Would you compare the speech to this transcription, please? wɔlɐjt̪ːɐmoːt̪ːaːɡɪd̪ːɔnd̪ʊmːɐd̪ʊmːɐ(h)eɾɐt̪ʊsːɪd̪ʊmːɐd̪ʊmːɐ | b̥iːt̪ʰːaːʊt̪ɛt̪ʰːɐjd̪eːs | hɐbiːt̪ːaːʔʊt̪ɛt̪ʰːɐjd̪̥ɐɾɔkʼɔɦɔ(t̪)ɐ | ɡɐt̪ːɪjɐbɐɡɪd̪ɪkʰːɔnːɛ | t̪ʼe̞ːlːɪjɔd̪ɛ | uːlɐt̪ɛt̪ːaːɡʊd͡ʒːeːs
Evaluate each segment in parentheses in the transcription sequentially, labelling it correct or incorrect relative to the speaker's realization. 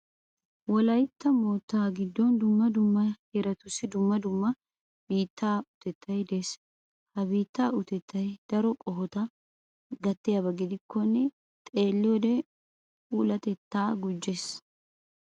correct, correct

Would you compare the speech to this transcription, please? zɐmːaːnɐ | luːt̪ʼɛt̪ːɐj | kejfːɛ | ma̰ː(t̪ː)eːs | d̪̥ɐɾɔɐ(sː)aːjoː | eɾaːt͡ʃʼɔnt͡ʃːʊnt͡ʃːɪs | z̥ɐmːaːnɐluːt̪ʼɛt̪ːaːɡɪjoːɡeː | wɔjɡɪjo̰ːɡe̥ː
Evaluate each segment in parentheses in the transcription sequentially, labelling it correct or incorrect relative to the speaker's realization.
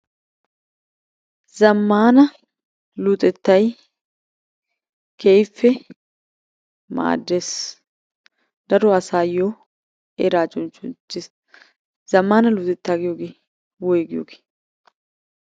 incorrect: d̪ː, incorrect: s

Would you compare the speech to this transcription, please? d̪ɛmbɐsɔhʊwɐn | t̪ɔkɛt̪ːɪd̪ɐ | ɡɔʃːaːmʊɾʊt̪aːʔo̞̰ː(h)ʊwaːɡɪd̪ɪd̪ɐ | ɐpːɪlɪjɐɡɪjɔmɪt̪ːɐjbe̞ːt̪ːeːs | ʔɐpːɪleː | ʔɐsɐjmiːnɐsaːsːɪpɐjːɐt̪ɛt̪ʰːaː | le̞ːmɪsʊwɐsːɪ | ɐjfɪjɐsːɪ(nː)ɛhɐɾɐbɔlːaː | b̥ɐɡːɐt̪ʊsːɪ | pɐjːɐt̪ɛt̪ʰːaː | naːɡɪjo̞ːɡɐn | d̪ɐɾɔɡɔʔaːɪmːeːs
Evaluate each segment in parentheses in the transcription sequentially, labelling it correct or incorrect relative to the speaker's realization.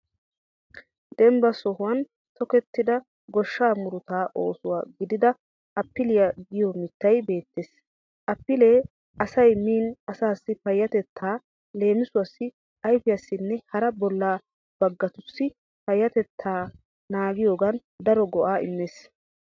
incorrect: s, correct

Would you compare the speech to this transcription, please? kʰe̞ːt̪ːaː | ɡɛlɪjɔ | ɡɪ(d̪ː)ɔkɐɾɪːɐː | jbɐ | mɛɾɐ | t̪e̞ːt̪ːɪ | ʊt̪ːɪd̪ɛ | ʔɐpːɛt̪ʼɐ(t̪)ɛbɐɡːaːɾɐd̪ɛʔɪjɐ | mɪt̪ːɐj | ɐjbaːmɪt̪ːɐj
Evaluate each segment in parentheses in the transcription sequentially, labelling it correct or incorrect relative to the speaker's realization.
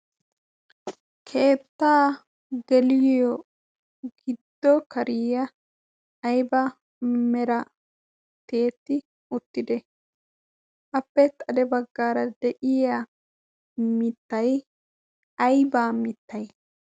correct, incorrect: d̪

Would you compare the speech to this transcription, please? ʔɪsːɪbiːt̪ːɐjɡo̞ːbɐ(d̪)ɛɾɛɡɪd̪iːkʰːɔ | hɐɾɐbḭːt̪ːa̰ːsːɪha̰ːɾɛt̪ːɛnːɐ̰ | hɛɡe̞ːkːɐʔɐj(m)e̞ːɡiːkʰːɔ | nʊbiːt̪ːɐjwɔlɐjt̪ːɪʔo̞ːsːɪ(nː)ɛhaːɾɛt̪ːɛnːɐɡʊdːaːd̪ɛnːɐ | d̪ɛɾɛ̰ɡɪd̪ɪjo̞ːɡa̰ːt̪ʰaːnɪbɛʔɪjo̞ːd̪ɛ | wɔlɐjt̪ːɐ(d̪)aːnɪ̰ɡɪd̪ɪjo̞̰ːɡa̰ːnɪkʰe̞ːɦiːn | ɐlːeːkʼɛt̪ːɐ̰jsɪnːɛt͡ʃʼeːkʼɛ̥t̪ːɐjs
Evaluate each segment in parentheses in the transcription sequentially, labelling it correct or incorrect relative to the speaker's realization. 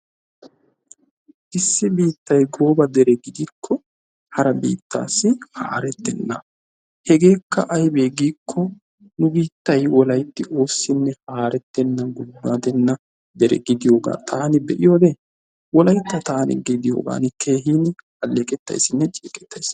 correct, incorrect: b, correct, incorrect: t̪

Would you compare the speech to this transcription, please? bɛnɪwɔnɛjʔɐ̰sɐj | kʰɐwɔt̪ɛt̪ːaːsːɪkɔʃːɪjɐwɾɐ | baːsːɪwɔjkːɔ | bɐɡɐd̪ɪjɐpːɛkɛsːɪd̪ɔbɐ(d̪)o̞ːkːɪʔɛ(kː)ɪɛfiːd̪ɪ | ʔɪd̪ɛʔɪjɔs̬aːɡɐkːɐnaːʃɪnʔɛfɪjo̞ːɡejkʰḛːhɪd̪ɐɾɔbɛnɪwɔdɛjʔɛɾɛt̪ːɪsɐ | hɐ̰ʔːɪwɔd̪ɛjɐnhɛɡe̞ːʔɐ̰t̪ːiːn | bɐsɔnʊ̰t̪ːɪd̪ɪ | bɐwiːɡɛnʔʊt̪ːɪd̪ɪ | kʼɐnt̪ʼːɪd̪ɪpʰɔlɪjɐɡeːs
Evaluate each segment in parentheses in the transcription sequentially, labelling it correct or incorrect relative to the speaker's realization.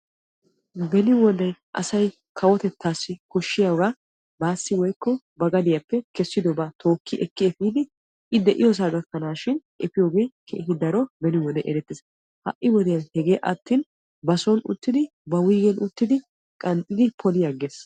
incorrect: t̪, correct

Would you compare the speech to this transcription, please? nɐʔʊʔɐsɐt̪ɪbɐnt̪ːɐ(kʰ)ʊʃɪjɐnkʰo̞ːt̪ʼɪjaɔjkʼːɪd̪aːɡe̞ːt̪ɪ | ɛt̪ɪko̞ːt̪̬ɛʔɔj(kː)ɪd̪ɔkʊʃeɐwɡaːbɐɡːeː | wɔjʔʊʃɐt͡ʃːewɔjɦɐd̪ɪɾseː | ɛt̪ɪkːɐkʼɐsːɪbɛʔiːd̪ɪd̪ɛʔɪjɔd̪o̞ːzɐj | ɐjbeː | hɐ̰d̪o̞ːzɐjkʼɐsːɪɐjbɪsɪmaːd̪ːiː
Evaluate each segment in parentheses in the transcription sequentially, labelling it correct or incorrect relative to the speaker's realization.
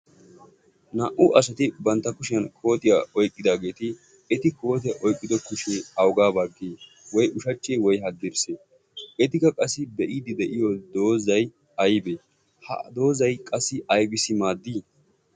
incorrect: k, incorrect: kʼː

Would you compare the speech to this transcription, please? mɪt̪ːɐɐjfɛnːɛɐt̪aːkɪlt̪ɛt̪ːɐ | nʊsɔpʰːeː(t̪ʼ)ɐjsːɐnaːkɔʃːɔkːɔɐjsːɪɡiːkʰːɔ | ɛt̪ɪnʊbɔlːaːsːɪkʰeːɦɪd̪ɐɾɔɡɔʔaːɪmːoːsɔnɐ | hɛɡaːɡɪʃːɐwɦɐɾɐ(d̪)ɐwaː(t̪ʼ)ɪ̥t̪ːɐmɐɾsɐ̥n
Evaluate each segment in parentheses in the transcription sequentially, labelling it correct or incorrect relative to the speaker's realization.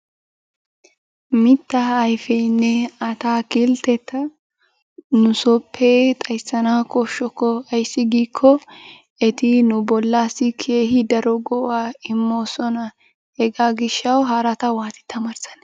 correct, incorrect: t̪, incorrect: t̪

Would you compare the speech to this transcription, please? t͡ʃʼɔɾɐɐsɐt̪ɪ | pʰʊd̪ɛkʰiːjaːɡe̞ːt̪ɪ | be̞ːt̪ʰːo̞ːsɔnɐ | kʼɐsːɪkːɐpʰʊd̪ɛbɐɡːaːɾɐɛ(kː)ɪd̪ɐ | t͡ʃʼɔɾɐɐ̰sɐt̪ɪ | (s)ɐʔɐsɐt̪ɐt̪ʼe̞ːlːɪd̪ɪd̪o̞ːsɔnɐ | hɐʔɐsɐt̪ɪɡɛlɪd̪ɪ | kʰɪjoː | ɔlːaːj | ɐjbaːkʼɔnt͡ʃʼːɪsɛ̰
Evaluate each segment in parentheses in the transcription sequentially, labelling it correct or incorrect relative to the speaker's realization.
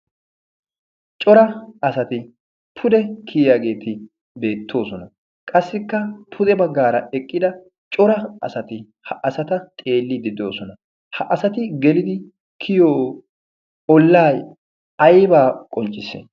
incorrect: kʼː, incorrect: h

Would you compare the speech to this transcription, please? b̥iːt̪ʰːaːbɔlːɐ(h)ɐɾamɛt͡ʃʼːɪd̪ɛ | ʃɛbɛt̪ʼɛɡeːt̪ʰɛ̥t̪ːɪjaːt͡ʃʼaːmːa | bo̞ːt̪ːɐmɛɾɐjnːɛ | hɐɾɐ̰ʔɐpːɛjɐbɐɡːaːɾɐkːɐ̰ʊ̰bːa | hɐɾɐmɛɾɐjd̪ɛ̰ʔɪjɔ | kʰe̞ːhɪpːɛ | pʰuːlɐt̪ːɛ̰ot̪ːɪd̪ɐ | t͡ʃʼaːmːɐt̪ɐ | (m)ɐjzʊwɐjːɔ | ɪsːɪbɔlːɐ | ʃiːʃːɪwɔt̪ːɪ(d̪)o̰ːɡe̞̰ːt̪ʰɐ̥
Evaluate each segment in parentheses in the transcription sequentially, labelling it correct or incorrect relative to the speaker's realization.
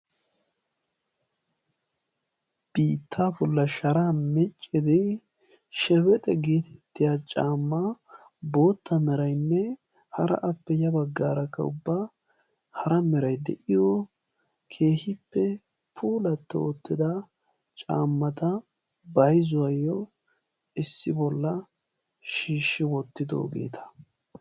incorrect: ʃ, incorrect: b, correct

